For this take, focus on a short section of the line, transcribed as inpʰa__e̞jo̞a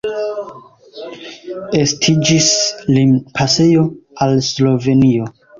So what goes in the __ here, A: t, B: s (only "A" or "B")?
B